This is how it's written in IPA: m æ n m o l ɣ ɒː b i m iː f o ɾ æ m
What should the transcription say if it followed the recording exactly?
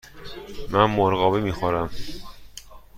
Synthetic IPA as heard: m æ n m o ɾ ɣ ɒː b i m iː x o ɾ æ m